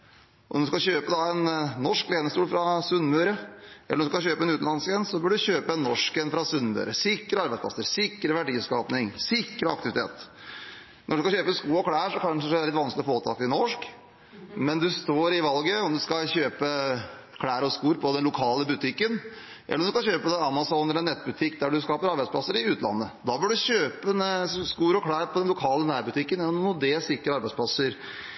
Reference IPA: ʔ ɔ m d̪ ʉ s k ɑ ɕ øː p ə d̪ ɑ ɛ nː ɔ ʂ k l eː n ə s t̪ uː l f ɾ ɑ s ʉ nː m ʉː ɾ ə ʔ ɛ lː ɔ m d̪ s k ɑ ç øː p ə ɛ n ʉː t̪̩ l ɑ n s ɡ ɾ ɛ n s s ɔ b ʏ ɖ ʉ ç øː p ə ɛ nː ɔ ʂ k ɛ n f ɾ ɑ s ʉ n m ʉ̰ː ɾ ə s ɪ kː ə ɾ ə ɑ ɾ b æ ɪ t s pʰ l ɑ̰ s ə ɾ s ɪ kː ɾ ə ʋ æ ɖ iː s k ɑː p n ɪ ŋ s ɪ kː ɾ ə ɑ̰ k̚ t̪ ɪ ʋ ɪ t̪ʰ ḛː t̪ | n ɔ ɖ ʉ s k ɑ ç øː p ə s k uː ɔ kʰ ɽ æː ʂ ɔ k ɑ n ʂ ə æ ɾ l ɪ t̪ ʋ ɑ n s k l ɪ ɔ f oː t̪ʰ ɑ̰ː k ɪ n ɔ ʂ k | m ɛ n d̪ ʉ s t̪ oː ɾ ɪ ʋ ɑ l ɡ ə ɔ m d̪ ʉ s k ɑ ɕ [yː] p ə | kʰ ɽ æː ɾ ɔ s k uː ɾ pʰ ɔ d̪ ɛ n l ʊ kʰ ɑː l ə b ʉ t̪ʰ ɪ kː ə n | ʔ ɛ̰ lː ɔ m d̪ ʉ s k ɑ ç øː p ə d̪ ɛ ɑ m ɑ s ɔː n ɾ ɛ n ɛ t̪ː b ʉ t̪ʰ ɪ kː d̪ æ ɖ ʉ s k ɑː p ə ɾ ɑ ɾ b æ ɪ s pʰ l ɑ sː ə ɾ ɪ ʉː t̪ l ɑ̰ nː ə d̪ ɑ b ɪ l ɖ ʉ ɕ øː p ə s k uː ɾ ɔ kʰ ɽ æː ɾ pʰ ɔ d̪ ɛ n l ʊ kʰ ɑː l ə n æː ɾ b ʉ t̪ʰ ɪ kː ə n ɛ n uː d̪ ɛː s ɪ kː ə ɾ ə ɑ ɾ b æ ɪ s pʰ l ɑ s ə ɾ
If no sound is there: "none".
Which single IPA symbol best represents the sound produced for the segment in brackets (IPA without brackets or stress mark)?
øː